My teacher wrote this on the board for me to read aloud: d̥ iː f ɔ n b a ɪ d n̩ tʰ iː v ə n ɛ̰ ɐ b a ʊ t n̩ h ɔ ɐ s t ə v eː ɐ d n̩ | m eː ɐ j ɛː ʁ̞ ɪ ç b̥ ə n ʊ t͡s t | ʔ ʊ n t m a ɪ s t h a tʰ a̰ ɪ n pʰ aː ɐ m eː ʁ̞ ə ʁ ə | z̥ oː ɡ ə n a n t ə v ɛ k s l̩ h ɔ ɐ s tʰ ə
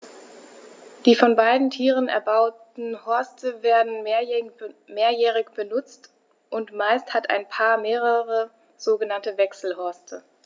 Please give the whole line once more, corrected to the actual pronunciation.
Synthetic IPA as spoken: d̥ iː f ɔ n b a ɪ d n̩ tʰ iː ʁ ə n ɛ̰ ɐ b a ʊ t n̩ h ɔ ɐ s t ə v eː ɐ d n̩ | m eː ɐ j ɛː ʁ̞ ɪ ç b̥ ə n ʊ t͡s t | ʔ ʊ n t m a ɪ s t h a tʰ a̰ ɪ n pʰ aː ɐ m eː ʁ̞ ə ʁ ə | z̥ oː ɡ ə n a n t ə v ɛ k s l̩ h ɔ ɐ s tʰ ə